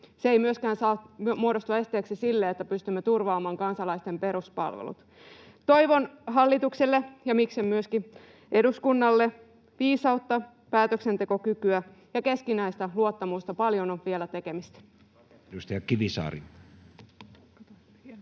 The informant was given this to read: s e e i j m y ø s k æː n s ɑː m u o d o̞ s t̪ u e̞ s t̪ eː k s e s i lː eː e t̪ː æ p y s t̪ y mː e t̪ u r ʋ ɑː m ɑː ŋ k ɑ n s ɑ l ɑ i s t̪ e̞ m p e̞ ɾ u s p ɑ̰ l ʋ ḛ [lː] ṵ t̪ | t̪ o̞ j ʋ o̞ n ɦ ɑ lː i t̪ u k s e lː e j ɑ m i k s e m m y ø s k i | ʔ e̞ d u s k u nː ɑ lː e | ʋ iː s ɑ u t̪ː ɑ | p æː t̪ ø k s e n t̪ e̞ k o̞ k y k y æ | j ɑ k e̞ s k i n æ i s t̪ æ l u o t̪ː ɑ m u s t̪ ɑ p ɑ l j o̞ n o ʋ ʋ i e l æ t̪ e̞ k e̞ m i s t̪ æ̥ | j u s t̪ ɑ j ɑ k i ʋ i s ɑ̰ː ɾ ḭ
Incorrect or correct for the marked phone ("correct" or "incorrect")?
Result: incorrect